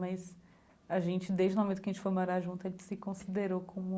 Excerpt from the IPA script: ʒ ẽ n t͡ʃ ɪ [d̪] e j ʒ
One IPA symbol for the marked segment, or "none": d̪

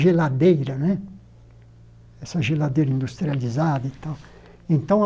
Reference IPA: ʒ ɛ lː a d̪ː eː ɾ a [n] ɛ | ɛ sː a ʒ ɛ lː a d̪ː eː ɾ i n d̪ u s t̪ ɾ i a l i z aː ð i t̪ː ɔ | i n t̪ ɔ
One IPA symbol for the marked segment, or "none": n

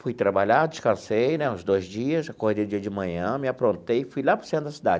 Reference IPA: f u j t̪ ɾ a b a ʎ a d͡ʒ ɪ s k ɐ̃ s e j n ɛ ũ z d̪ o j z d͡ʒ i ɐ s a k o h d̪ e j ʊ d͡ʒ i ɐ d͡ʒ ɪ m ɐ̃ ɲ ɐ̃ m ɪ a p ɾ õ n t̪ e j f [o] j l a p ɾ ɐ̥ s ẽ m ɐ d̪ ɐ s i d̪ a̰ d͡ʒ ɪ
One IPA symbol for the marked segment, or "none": u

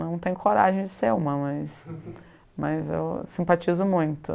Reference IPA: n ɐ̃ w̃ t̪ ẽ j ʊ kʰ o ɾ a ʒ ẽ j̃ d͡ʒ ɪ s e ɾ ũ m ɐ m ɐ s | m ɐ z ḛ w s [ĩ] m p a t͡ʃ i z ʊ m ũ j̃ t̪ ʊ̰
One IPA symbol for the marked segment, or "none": ĩ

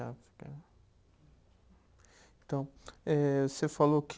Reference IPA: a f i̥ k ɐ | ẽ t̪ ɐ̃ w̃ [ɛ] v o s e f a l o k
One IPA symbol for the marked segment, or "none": ɛ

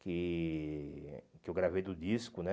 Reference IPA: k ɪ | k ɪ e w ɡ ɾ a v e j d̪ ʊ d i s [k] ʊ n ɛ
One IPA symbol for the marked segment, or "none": k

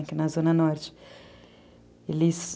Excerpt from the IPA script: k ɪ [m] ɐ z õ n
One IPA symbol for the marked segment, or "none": n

